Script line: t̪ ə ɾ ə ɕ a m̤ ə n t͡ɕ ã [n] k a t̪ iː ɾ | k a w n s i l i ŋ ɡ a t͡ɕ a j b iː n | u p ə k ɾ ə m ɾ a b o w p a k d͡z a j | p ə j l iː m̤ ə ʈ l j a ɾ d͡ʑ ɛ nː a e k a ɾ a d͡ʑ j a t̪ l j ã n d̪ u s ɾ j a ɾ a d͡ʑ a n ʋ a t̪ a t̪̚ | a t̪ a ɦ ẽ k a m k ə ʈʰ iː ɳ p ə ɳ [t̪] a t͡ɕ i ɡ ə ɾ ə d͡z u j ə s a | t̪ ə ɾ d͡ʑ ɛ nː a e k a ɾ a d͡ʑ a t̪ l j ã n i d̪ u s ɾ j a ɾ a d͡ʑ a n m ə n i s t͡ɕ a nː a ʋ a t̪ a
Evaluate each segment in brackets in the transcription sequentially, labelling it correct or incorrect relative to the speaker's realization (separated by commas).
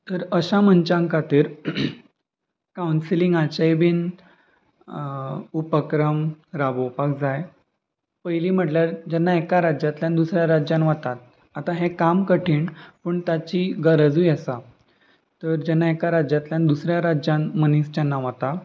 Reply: incorrect, correct